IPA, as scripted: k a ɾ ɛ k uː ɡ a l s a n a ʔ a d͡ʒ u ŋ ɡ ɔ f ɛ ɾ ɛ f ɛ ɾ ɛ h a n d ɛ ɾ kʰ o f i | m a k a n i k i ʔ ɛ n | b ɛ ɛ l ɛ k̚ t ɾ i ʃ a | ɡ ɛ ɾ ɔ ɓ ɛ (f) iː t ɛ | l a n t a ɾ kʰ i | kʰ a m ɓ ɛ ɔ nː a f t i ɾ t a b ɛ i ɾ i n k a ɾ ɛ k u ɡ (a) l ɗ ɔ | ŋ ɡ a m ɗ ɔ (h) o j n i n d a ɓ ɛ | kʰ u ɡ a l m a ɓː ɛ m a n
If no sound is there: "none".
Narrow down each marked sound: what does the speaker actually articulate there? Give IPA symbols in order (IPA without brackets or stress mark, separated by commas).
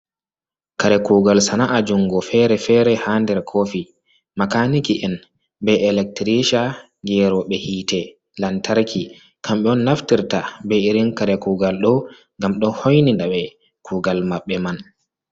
h, a, h